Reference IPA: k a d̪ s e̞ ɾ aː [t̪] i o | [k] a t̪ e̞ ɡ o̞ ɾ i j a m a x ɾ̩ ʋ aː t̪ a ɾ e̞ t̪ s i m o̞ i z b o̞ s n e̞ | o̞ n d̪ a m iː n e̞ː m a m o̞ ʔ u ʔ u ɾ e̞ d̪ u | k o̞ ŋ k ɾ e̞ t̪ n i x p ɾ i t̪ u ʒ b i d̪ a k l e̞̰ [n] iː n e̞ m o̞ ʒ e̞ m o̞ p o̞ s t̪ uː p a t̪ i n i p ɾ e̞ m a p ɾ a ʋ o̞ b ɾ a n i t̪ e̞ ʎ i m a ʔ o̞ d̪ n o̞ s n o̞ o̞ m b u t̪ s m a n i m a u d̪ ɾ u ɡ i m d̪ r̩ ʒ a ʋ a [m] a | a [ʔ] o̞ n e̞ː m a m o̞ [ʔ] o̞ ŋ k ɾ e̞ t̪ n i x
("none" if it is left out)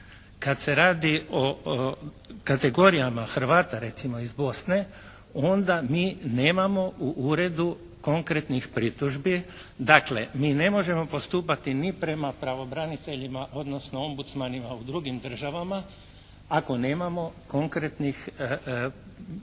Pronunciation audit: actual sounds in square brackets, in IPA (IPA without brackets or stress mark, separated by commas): d̪, k, m, m, k, k